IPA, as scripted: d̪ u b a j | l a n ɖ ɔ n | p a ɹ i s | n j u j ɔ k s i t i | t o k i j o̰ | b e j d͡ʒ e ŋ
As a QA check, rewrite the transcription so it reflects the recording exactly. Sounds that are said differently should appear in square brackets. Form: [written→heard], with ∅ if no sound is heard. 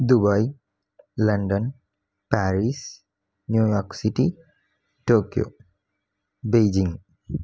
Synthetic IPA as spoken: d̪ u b a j | l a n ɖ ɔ n | p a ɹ i s | n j u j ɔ k s i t i | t o k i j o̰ | b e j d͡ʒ [e→i] ŋ

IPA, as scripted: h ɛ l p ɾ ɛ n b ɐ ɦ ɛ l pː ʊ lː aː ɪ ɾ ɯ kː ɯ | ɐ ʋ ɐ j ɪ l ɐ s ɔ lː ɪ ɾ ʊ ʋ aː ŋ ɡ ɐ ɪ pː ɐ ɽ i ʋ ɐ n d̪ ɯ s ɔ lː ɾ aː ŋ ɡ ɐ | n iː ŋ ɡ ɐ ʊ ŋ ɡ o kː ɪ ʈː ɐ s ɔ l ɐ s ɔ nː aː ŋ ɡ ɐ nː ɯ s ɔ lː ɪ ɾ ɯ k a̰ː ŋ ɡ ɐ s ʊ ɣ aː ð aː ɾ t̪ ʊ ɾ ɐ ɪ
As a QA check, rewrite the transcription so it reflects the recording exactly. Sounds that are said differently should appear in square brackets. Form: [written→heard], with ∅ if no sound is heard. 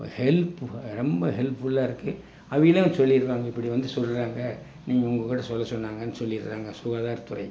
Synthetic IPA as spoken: h ɛ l p ɾ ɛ [n→m] b ɐ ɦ ɛ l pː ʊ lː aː ɪ ɾ ɯ kː ɯ | ɐ ʋ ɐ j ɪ l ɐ s ɔ lː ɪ ɾ [ʊ→ɯ] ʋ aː ŋ ɡ ɐ ɪ pː ɐ ɽ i ʋ ɐ n d̪ ɯ s ɔ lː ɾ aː ŋ ɡ ɐ | n iː ŋ ɡ ɐ ʊ ŋ ɡ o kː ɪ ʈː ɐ s ɔ [l→lː] ɐ s ɔ nː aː ŋ ɡ ɐ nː ɯ s ɔ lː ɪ ɾ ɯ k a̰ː ŋ ɡ ɐ s ʊ ɣ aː ð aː ɾ t̪ ʊ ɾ ɐ ɪ

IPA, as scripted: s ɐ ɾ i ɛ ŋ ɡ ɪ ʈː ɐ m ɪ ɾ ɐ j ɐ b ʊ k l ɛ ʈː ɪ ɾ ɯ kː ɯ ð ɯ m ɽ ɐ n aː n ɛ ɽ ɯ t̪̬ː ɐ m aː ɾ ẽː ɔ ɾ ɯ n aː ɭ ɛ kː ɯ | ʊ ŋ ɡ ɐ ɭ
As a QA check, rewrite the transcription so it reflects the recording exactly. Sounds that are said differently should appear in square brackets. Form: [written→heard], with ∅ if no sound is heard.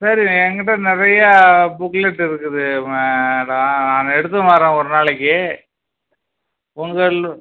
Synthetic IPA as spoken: s ɐ ɾ i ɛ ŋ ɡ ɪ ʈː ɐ [m→n] ɪ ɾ ɐ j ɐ b ʊ k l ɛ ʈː ɪ ɾ ɯ kː ɯ ð ɯ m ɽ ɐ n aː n ɛ ɽ ɯ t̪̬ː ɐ m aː ɾ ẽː ɔ ɾ ɯ n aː ɭ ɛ kː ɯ | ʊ ŋ ɡ ɐ ɭ

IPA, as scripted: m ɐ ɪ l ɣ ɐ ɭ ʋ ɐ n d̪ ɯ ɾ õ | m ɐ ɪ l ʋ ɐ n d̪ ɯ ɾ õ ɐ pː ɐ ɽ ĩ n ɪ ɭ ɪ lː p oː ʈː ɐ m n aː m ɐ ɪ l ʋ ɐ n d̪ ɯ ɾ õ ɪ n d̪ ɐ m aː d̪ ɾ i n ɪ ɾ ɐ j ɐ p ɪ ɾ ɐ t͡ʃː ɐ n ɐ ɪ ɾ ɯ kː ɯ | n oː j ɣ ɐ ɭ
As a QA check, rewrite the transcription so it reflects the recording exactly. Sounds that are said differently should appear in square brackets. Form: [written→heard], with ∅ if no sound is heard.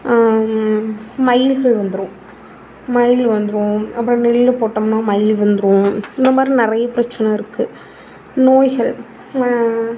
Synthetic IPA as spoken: m ɐ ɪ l ɣ ɐ ɭ ʋ ɐ n d̪ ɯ ɾ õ | m ɐ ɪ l ʋ ɐ n d̪ ɯ ɾ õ ɐ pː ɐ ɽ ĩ n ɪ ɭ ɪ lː p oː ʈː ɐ m n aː m ɐ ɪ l ʋ ɐ n d̪ ɯ ɾ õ ɪ n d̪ ɐ m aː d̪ ɾ i n ɪ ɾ ɐ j ɐ p ɪ ɾ ɐ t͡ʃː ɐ n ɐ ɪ ɾ ɯ kː ɯ | n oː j ɣ ɐ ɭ

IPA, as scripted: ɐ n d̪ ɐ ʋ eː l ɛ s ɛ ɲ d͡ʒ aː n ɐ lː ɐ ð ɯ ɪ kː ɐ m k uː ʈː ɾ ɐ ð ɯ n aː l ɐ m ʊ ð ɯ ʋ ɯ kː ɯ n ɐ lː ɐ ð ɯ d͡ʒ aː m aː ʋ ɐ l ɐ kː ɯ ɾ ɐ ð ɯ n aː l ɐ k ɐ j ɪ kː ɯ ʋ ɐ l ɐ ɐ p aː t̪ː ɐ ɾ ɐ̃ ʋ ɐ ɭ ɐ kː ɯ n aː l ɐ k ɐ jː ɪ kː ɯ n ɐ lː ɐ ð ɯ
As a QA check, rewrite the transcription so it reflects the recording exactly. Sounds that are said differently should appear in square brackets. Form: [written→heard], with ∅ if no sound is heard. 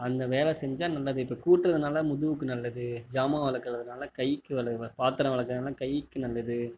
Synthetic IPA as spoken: ɐ n d̪ ɐ ʋ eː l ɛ s ɛ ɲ d͡ʒ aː n ɐ lː ɐ ð ɯ ɪ [kː→pː] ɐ [m→∅] k uː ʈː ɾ ɐ ð ɯ n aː l ɐ m ʊ ð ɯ ʋ ɯ kː ɯ n ɐ lː ɐ ð ɯ d͡ʒ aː m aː ʋ ɐ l ɐ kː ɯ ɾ ɐ ð ɯ n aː l ɐ k ɐ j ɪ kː ɯ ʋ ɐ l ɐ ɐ p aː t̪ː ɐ ɾ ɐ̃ ʋ ɐ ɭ ɐ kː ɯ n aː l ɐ k ɐ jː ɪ kː ɯ n ɐ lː ɐ ð ɯ

